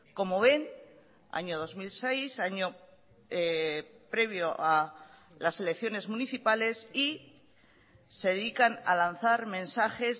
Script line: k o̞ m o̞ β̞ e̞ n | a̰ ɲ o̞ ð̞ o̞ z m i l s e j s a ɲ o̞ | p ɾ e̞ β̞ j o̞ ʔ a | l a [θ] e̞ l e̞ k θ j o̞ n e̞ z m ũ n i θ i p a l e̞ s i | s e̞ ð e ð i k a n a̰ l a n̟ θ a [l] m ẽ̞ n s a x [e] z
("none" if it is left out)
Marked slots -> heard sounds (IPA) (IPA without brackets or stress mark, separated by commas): s, ɾ, e